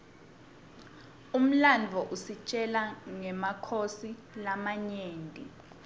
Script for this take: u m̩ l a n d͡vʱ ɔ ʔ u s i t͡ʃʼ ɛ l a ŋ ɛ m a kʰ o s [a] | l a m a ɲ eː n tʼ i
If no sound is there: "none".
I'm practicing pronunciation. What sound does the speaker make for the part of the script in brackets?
i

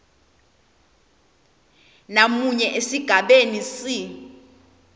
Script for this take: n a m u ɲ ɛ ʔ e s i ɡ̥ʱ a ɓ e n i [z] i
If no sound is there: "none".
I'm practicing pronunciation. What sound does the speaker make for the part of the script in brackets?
s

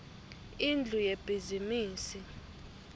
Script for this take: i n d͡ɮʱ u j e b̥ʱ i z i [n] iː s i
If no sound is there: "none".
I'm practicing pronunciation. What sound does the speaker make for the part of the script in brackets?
m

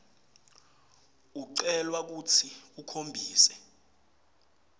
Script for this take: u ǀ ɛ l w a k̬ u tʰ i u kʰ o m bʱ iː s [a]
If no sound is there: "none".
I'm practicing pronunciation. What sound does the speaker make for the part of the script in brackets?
ɛ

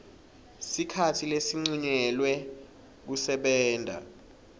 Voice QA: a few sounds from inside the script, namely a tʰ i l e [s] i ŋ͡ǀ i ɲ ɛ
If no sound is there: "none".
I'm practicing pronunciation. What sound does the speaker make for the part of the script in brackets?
s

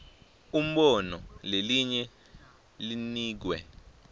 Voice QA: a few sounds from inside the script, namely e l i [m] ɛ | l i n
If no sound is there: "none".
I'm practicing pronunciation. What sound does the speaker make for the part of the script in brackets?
ɲ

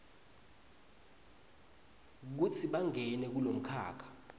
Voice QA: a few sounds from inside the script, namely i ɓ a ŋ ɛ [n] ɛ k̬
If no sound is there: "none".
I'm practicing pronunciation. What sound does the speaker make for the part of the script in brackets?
n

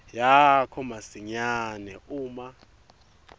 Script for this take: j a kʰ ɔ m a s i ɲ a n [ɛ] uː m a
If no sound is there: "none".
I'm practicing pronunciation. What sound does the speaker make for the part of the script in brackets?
ɛ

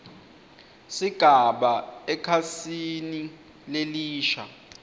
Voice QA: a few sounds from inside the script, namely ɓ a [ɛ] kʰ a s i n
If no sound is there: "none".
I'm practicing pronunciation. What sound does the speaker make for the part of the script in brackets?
ɛ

